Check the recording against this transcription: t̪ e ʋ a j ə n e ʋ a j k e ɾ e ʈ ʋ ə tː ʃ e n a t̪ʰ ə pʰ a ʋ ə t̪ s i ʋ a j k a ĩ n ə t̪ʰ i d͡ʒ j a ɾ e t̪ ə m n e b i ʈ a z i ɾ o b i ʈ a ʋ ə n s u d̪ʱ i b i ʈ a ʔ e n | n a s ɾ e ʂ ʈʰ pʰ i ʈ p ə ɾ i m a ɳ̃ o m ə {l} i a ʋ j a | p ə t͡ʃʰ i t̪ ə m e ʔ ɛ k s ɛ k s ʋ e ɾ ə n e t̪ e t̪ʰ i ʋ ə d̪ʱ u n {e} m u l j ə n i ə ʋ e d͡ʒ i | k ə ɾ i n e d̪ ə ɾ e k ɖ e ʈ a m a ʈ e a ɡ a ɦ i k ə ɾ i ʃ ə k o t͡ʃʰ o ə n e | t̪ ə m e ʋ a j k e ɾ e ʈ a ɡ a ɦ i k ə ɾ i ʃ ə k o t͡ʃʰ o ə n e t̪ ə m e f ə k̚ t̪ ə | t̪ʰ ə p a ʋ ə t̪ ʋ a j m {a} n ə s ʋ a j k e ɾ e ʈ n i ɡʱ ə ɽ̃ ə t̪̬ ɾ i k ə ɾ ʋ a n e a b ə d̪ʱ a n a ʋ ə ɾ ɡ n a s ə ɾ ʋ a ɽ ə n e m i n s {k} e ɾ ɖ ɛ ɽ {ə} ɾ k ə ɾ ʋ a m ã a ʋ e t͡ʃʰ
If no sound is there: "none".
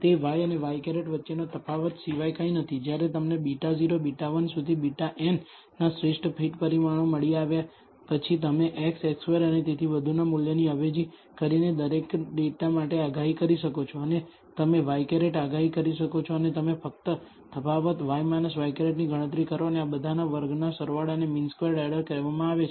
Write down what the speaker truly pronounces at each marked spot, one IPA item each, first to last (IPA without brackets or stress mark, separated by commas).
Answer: ɭ, a, a, k, ə